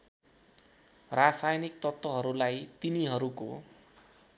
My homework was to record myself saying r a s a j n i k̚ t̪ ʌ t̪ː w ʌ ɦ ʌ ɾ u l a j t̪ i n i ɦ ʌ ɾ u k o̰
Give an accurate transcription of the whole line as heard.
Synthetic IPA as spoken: r a s a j n i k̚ t̪ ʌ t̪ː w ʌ ɦ ʌ ɾ u l a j t̪ i n i ɦ ʌ ɾ u k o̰